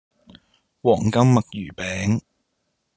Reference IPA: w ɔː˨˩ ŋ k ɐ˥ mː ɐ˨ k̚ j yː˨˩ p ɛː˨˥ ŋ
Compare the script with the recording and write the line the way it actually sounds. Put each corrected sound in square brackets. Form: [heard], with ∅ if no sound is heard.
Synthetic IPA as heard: w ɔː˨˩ ŋ k ɐ˥ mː ɐ˨ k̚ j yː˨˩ p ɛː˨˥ ŋ